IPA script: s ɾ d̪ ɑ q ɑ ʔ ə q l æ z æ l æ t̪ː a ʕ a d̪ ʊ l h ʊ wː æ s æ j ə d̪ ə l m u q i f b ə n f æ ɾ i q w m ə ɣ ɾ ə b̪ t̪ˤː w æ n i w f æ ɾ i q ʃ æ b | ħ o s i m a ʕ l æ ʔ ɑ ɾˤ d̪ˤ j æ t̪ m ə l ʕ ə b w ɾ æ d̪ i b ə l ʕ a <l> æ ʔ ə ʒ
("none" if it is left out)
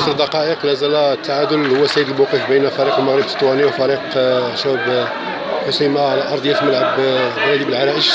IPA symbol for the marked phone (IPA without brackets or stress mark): ɾ